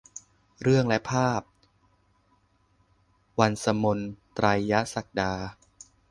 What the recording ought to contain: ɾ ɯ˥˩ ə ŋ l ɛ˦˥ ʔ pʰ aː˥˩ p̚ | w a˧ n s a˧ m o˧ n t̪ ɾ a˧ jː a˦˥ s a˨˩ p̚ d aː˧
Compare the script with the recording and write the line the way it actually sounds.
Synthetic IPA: ɾ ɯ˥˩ ə ŋ l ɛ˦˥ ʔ pʰ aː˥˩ p̚ | w a˧ n s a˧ m o˧ n t̪ ɾ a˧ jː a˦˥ s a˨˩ k̚ d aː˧